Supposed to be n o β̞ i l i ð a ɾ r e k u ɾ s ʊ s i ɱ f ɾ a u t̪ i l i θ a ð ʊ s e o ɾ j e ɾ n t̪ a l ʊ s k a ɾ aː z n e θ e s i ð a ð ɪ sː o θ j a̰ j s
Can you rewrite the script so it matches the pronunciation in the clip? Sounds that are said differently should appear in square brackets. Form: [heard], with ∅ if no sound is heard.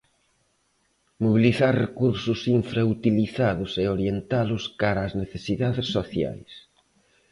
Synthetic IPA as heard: [m] o β̞ i l i [θ] a ɾ r e k u ɾ s ʊ s i ɱ f ɾ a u t̪ i l i θ a ð ʊ s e o ɾ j e [∅] n t̪ a l ʊ s k a ɾ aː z n e θ e s i ð a ð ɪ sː o θ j a̰ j s